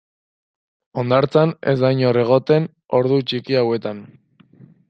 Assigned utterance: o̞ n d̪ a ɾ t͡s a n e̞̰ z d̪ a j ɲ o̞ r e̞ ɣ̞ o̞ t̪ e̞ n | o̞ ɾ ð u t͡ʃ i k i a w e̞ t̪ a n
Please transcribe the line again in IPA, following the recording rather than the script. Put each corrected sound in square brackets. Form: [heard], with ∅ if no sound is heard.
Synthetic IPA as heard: o̞ n d̪ a ɾ t͡s a n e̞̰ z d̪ a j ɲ o̞ r e̞ ɣ̞ o̞ t̪ e̞ n | o̞ ɾ ð u t͡ʃ i k i a w e̞ t̪ a n